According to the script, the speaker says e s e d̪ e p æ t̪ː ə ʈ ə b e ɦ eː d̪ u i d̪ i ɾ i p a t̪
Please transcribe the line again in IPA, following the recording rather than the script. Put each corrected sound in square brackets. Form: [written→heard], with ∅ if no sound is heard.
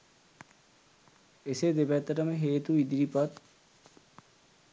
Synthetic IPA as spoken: e s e d̪ e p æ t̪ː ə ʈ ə [b→m] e ɦ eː [d̪→t̪] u i d̪ i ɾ i p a t̪